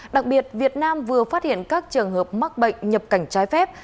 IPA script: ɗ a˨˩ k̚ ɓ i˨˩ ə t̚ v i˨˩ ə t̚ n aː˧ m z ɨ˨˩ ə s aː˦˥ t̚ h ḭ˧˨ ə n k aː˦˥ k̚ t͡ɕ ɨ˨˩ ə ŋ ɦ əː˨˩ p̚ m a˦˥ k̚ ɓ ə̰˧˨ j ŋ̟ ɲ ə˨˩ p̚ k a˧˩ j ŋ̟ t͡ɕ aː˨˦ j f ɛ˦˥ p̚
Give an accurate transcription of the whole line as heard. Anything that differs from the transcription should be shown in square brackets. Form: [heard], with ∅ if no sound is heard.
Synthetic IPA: ɗ a˨˩ k̚ ɓ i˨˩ ə t̚ v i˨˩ ə t̚ n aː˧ m [v] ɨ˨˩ ə [f] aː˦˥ t̚ h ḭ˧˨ ə n k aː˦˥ k̚ t͡ɕ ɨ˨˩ ə ŋ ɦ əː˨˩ p̚ m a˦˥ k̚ ɓ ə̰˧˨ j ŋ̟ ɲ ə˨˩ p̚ k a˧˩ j ŋ̟ t͡ɕ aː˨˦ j f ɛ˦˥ p̚